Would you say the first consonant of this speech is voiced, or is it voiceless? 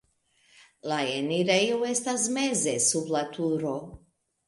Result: voiced